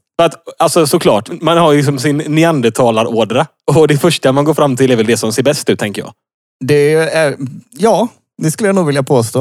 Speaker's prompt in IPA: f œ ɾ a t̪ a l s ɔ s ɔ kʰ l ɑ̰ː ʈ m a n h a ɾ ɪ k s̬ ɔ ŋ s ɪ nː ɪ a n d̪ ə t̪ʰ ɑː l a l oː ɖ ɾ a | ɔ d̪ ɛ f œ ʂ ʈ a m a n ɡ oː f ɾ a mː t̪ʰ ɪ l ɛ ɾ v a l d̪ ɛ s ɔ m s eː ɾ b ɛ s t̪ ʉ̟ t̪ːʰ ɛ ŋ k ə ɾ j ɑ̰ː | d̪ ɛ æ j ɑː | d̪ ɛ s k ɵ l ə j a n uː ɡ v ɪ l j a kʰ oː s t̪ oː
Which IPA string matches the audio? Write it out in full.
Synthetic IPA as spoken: f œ ɾ a t̪ a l s ɔ s ɔ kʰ l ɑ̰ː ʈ m a n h a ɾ ɪ k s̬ ɔ m s ɪ nː ɪ a n d̪ ə t̪ʰ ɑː l a ɾ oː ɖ ɾ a | ɔ d̪ ɛ f œ ʂ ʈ a m a n ɡ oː f ɾ a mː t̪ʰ ɪ l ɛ ɾ v ɛ l d̪ ɛ s ɔ m s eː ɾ b ɛ s t̪ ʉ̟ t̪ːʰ ɛ ŋ k ə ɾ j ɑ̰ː | d̪ ɛ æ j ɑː | d̪ ɛ s k ɵ l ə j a n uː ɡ v ɪ l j a pʰ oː s t̪ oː